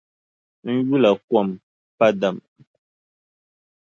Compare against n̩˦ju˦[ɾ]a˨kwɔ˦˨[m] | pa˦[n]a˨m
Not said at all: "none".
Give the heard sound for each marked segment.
l, m, d

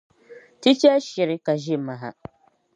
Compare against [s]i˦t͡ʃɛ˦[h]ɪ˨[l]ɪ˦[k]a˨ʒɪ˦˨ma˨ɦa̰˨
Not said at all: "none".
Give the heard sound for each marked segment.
t, ʃ, ɾ, k

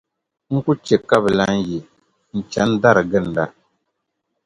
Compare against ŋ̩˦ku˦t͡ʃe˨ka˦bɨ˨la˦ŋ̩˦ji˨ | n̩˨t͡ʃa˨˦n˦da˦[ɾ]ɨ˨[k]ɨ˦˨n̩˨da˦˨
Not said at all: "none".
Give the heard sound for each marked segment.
ɾ, ɡ

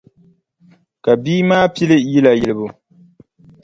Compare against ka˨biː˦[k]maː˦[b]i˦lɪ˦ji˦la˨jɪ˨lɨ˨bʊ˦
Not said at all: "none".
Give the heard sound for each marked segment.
none, p

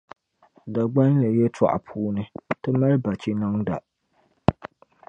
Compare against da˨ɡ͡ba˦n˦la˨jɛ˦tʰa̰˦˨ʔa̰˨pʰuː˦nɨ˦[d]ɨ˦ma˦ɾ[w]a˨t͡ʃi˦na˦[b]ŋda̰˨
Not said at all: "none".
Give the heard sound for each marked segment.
t, b, none

